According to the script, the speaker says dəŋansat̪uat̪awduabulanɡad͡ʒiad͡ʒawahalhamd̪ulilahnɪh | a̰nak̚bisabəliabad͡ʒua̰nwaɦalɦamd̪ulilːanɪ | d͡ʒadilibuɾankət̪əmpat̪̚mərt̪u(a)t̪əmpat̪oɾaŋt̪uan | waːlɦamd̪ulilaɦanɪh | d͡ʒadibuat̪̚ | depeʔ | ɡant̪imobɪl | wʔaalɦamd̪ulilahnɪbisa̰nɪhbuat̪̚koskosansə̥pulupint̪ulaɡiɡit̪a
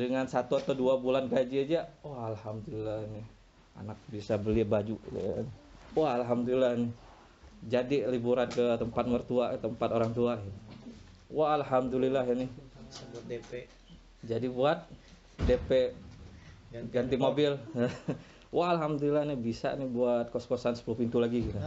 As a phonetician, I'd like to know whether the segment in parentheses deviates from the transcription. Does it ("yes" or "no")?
no